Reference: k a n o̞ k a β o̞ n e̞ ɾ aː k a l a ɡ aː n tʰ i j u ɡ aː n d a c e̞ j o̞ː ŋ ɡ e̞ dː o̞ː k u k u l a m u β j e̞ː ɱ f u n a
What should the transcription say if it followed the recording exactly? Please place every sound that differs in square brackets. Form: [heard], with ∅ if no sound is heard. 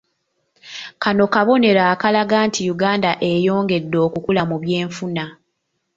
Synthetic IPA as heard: k a n o̞ k a β o̞ n e̞ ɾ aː k a l a ɡ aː n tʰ i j u ɡ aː n d a [ʔ] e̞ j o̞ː ŋ ɡ e̞ dː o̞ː k u k u l a m u β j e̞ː ɱ f u n a